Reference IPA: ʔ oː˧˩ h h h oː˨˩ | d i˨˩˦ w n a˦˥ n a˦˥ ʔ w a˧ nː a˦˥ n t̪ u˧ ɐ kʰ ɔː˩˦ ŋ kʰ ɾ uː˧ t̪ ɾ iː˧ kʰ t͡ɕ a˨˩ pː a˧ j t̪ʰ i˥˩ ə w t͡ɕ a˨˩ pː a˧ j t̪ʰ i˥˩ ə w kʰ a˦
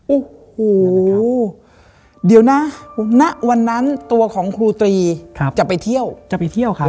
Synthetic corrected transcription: ʔ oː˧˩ h h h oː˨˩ | d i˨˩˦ w n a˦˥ n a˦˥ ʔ w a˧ nː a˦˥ n t̪ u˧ ɐ kʰ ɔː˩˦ ŋ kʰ ɾ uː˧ t̪ ɾ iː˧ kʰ t͡ɕ a˨˩ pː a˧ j t̪ʰ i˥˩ ə w t͡ɕ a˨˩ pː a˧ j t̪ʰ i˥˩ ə w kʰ a˦

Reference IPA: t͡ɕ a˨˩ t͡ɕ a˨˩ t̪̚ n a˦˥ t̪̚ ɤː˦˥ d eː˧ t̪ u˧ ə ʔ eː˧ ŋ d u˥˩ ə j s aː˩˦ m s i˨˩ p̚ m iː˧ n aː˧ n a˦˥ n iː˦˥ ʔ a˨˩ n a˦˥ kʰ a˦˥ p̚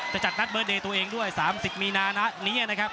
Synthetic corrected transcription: t͡ɕ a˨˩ t͡ɕ a˨˩ t̪̚ n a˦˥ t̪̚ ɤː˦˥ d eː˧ t̪ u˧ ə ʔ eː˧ ŋ d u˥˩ ə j s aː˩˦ m s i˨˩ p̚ m iː˧ n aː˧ n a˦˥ n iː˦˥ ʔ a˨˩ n a˦˥ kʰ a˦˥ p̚

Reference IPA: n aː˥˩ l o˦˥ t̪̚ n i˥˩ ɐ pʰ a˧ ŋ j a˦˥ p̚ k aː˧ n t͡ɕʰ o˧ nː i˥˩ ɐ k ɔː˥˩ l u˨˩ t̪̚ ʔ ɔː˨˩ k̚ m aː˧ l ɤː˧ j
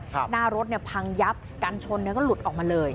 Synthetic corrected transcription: n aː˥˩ ɾ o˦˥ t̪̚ n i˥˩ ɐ pʰ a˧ ŋ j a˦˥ p̚ k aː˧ n t͡ɕʰ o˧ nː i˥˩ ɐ k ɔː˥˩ l u˨˩ t̪̚ ʔ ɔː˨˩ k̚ m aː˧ l ɤː˧ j

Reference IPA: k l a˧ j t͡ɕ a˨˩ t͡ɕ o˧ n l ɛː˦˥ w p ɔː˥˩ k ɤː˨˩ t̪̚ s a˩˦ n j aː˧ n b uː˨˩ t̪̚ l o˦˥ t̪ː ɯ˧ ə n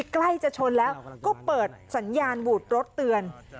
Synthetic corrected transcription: k l a˥˩ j t͡ɕ a˨˩ t͡ɕʰ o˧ n l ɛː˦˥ w k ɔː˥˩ p ɤː˨˩ t̪̚ s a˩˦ n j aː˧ n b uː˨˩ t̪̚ ɾ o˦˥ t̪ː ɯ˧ ə n

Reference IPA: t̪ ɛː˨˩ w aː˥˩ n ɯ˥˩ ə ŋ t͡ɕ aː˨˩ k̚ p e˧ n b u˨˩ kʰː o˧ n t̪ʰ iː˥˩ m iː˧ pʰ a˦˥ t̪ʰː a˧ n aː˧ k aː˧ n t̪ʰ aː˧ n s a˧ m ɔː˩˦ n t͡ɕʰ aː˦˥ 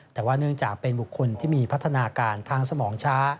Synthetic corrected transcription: t̪ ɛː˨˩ w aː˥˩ n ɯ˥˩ ə ŋ t͡ɕ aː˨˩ k̚ p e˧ n b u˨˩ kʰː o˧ n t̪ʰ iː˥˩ m iː˧ pʰ a˦˥ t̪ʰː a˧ n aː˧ k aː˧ n t̪ʰ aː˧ ŋ s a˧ m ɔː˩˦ ŋ t͡ɕʰ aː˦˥

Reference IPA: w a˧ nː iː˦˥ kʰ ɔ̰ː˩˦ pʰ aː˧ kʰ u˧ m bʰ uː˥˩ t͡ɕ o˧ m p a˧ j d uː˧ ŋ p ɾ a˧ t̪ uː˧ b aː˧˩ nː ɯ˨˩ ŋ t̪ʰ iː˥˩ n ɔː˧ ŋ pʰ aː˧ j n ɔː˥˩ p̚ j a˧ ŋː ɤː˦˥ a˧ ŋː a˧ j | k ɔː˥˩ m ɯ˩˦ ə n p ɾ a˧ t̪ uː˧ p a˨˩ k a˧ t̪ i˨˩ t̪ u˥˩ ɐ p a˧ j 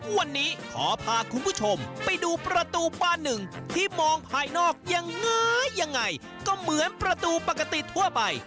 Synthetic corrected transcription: w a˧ nː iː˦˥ kʰ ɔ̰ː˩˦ pʰ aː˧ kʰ u˧ n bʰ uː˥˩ t͡ɕʰ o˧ m p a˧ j d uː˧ p ɾ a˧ t̪ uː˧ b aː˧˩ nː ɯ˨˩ ŋ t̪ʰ iː˥˩ m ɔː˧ ŋ pʰ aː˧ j n ɔː˥˩ k̚ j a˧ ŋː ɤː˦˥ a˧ ŋː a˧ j | k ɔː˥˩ m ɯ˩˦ ə n p ɾ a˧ t̪ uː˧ p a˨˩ k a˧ t̪ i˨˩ t̪ʰ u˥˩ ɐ p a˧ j

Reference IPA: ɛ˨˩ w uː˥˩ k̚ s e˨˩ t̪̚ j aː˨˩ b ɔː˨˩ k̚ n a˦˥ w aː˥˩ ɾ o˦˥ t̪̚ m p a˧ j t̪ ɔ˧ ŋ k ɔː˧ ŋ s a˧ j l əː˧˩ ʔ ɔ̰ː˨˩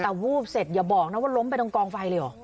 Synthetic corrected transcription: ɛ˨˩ w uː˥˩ p̚ s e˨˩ t̪̚ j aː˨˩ b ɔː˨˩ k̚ n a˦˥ w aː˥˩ l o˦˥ m p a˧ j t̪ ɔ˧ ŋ k ɔː˧ ŋ f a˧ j l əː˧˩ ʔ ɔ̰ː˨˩

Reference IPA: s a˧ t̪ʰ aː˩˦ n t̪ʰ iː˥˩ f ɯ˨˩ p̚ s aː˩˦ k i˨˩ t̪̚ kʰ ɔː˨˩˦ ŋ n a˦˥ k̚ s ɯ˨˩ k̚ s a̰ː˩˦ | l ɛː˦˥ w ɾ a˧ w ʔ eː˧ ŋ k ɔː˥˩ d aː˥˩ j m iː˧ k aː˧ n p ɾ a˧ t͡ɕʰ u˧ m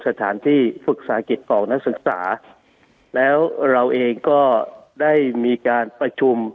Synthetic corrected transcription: s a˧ t̪ʰ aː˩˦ n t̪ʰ iː˥˩ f ɯ˨˩ k̚ s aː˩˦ k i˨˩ t̪̚ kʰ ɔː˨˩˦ ŋ n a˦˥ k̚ s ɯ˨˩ k̚ s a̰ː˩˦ | l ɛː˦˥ w ɾ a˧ w ʔ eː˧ ŋ k ɔː˥˩ d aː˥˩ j m iː˧ k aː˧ n p ɾ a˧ t͡ɕʰ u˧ m

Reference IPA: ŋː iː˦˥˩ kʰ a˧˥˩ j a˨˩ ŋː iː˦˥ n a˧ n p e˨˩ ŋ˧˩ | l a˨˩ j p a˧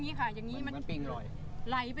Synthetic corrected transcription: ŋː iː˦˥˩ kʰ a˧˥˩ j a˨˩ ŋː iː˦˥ m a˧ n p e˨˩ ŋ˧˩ | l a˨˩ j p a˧

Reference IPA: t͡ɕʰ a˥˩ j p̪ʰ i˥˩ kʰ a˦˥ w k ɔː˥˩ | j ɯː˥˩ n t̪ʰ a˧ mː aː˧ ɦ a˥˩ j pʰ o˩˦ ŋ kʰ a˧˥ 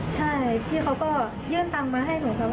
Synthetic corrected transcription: t͡ɕʰ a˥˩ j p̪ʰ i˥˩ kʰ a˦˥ w k ɔː˥˩ | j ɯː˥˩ n t̪ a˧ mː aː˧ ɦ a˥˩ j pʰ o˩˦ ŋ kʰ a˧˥

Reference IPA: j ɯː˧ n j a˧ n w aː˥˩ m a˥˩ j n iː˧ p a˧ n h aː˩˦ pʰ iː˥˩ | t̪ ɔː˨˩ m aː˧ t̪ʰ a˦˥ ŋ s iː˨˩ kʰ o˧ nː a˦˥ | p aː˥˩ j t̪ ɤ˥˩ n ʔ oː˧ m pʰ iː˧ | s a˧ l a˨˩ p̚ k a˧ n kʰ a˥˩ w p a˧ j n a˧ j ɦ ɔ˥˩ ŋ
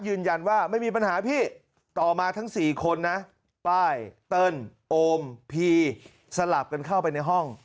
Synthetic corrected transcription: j ɯː˧ n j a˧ n w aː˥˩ m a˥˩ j m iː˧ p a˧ n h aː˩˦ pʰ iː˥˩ | t̪ ɔː˨˩ m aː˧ t̪ʰ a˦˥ ŋ s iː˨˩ kʰ o˧ nː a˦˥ | p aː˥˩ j t̪ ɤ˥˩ n ʔ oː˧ m pʰ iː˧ | s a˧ l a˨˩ p̚ k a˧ n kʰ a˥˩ w p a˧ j n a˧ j ɦ ɔ˥˩ ŋ

